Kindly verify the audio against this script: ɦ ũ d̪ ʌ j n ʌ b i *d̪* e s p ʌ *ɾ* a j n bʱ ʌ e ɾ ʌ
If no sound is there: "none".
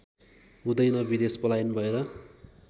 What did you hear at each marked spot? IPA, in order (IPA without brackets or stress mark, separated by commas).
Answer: d̪, l